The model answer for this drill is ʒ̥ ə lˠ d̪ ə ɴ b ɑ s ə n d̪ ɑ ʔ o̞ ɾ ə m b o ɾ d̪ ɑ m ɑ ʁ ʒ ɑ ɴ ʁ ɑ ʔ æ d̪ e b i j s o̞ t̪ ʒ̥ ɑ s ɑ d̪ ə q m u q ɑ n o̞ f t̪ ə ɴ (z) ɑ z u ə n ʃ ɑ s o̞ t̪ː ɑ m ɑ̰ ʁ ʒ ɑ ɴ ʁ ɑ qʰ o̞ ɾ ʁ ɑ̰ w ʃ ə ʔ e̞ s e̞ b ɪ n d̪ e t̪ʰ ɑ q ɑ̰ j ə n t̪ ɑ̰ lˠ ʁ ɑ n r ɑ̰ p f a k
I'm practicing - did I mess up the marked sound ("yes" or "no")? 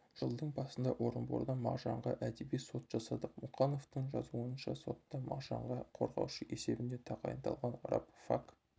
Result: yes